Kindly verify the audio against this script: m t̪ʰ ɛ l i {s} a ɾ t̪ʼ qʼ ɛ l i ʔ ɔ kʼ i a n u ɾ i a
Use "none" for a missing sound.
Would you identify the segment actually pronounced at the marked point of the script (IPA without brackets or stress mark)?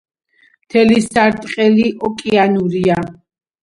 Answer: s